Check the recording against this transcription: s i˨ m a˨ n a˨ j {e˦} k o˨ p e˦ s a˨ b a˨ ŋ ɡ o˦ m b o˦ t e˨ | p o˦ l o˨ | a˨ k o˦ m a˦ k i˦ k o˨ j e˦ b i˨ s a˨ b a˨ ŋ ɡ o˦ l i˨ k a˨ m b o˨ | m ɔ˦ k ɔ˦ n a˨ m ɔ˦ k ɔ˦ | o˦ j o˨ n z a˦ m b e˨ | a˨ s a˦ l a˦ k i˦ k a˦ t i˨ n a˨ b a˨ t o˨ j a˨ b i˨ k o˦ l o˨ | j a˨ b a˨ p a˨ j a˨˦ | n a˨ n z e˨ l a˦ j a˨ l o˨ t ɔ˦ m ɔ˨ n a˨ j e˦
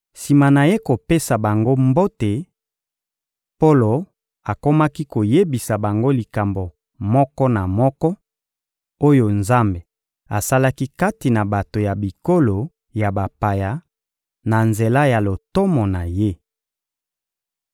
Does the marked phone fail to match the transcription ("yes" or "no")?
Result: no